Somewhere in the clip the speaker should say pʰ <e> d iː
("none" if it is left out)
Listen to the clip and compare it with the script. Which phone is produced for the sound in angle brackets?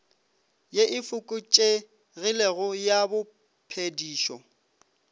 e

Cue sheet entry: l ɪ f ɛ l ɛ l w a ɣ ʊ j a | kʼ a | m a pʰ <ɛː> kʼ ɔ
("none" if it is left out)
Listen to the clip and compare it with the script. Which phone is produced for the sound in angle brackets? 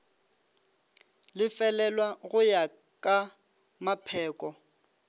ɛː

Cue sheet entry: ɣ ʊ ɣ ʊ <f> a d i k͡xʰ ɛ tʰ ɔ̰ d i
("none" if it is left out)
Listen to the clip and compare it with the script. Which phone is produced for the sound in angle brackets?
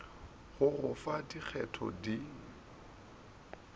f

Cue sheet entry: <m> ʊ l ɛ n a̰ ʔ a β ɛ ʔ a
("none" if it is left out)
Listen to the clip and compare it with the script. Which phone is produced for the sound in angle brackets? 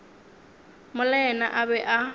m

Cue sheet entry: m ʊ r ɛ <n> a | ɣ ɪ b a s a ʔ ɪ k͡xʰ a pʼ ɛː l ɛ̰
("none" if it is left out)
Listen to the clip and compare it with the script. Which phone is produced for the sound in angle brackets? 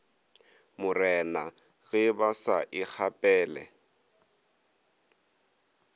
n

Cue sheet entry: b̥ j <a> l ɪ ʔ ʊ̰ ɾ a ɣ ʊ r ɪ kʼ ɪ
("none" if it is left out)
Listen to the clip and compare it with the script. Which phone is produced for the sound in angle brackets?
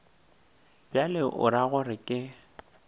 a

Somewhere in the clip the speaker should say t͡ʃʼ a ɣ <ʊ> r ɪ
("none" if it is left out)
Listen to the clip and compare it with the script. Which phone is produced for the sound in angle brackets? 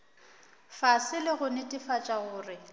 ʊː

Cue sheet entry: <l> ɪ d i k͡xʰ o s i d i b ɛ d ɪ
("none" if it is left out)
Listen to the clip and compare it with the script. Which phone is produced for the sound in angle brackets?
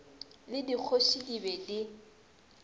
l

